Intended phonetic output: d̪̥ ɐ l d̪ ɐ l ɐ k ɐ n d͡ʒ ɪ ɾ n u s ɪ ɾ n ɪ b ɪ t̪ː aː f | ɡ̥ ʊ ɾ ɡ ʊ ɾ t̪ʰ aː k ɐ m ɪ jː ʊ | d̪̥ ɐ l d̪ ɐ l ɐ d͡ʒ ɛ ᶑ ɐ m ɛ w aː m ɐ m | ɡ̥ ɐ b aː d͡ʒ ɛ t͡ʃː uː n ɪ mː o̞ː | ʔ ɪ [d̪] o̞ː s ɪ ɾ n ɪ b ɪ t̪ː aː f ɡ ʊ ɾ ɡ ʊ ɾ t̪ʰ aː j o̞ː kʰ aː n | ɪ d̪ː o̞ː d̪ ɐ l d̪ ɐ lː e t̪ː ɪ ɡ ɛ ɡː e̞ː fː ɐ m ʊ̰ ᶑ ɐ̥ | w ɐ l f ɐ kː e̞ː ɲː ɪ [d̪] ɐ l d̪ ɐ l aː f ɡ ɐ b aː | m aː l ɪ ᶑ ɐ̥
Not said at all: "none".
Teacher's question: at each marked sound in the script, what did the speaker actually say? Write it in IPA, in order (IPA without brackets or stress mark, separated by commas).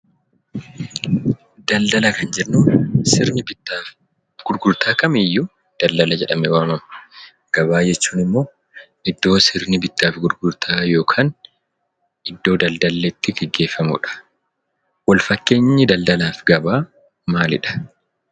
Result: d̪ː, d̪